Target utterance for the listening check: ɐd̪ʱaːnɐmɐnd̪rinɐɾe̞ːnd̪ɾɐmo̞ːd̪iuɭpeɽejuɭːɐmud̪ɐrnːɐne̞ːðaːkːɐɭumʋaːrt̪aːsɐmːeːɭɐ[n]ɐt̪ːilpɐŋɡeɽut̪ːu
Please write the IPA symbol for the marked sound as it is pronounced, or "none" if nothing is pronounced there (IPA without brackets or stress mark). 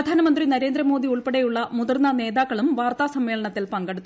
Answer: ɳ